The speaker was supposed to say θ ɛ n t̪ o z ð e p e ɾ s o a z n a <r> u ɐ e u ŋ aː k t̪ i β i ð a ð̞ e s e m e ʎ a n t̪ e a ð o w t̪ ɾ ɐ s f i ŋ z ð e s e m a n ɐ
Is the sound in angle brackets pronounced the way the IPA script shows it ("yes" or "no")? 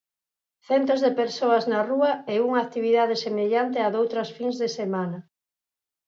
yes